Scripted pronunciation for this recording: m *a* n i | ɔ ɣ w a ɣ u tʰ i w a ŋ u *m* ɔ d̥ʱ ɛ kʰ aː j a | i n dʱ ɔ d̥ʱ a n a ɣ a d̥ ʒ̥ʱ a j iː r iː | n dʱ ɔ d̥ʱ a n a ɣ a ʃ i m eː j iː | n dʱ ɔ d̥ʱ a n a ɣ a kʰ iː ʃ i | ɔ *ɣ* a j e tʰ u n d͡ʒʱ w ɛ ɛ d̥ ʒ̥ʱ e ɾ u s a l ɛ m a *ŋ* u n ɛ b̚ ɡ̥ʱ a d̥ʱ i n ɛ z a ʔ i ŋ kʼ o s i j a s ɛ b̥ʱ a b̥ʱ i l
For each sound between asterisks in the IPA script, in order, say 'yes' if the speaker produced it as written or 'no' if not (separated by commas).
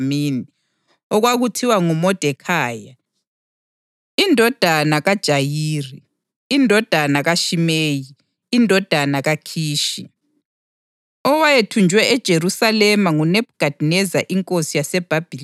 no, yes, no, yes